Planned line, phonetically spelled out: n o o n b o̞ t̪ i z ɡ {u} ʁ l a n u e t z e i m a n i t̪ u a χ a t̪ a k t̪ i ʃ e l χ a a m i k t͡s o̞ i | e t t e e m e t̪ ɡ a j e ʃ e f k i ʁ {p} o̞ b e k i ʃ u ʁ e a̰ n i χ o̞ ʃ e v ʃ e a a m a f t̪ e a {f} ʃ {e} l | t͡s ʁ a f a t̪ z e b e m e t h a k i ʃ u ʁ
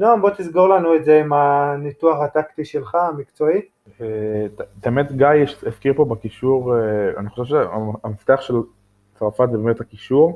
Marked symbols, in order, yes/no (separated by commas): no, yes, no, yes